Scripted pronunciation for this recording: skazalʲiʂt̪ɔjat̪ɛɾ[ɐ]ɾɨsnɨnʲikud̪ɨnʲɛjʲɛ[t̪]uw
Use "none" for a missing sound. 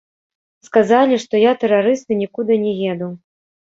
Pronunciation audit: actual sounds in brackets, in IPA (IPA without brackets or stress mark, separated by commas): a, d̪